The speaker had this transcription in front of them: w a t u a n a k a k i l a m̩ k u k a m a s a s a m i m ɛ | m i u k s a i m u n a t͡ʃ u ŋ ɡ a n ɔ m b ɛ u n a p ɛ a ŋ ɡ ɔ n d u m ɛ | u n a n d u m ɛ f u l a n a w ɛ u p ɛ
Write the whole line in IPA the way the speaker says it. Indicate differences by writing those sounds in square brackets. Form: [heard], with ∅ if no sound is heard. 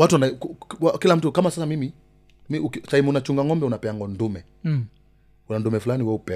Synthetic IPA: w a t u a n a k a k i l a m̩ [t] u k a m a s a s a m i m [i] | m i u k s a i m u n a t͡ʃ u ŋ ɡ a [ŋ] ɔ m b ɛ u n a p ɛ a ŋ ɡ ɔ n d u m ɛ | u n a n d u m ɛ f u l a n [i] w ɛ u p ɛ